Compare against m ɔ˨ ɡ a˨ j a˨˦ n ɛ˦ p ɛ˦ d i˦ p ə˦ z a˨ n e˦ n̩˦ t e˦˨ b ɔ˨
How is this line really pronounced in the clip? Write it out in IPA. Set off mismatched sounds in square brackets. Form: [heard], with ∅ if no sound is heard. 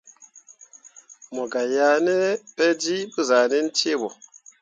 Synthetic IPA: m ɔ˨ ɡ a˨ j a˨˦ n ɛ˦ p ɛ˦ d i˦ [b] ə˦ z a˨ n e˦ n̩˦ t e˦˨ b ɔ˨

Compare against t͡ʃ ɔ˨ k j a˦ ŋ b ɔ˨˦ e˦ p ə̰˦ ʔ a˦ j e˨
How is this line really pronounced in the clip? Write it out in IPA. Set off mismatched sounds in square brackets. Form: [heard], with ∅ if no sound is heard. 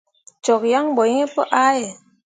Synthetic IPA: t͡ʃ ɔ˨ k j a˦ ŋ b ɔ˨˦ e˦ p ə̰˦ ʔ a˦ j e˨

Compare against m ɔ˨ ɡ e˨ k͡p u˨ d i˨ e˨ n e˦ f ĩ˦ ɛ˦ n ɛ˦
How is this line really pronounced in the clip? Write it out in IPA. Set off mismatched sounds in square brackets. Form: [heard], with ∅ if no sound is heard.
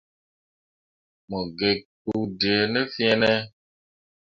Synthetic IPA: m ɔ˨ ɡ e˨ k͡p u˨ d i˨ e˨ n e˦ f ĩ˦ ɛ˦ n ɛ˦

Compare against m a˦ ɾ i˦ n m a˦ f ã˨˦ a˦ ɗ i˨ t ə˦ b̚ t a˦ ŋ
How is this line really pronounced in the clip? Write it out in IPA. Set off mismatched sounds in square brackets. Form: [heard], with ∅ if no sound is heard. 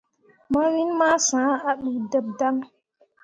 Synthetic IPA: m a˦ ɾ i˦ n m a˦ [s] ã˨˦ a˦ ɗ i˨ [d] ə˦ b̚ [d] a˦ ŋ

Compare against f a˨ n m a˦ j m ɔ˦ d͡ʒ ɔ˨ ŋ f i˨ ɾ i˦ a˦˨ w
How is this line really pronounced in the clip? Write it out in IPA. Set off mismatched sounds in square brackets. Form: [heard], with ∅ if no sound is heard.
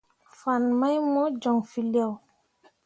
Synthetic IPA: f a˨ n m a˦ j m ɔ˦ d͡ʒ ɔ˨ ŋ f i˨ [l] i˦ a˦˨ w

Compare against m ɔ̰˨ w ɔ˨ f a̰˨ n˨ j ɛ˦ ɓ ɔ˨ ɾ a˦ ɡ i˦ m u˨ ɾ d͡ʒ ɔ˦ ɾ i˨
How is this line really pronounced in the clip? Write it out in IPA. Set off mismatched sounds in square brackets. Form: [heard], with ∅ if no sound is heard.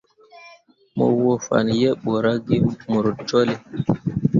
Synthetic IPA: m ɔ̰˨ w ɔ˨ f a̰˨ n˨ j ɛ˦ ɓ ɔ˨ ɾ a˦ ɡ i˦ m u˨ ɾ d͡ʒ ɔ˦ [l] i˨

